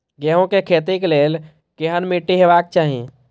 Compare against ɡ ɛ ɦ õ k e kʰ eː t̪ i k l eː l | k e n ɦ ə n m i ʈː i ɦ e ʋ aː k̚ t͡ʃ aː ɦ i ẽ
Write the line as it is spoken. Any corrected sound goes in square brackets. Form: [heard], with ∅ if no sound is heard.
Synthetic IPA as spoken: ɡ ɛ ɦ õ k e kʰ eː t̪ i k l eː l | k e [∅] ɦ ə n m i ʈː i ɦ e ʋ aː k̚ t͡ʃ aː ɦ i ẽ